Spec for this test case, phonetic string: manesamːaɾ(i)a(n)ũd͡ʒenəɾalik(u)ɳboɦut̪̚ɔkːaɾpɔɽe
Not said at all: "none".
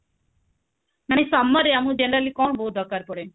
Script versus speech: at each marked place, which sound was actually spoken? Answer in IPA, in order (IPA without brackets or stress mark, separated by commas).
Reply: e, m, ɔ